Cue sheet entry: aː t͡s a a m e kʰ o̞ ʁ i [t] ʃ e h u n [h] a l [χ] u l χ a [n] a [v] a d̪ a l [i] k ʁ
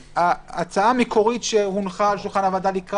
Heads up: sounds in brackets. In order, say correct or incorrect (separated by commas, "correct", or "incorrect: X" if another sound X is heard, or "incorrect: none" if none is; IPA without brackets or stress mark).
correct, incorrect: χ, incorrect: ʃ, correct, correct, correct